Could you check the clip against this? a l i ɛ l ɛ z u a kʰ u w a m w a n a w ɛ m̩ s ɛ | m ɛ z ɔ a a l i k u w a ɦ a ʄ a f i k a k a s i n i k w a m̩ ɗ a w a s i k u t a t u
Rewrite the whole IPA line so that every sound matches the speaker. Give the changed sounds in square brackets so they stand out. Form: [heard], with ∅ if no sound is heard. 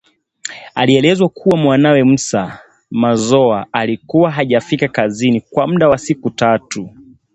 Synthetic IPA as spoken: a l i ɛ l ɛ z [w] a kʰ u w a m w a n a w ɛ m̩ s [a] | m [a] z ɔ a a l i k u w a ɦ a ʄ a f i k a k a [z] i n i k w a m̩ ɗ a w a s i k u t a t u